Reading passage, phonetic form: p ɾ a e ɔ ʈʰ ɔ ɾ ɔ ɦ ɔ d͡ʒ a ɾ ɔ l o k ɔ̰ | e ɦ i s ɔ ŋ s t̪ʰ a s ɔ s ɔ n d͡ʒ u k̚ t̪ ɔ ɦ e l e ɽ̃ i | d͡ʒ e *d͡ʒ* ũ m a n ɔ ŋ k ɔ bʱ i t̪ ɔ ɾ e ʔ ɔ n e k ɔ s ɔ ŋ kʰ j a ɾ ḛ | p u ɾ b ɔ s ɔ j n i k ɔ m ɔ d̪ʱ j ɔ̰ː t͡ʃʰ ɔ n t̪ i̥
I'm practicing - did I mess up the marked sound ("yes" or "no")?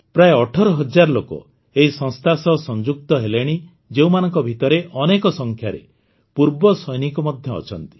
yes